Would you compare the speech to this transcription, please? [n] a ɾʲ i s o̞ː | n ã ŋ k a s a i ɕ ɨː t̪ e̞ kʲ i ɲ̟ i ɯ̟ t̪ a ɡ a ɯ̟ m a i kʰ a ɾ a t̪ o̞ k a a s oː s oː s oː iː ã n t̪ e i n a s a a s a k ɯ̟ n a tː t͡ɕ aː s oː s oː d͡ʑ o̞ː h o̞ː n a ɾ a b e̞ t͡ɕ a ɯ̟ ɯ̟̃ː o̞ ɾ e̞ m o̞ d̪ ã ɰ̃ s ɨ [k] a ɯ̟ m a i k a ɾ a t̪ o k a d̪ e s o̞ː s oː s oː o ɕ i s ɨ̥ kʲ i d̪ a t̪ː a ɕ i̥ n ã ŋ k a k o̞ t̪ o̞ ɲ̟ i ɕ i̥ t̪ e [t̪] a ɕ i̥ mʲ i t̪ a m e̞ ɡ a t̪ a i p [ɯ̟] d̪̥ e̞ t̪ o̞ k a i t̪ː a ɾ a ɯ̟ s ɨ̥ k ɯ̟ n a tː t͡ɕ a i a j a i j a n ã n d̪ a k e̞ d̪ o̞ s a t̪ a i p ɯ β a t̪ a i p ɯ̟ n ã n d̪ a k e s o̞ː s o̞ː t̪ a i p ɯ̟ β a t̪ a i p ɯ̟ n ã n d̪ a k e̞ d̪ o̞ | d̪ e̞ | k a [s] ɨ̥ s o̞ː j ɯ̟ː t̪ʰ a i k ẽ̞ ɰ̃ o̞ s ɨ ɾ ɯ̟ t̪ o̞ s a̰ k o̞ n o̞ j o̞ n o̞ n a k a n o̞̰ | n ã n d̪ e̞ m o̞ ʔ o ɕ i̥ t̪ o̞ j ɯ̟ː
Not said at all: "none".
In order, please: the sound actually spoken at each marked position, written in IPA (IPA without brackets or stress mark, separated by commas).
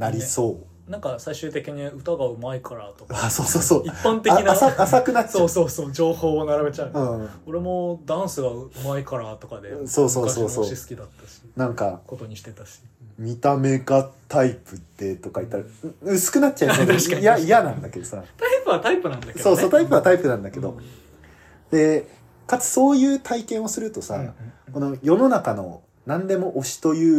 n, ɡ, t̪, ɯ̟, t͡s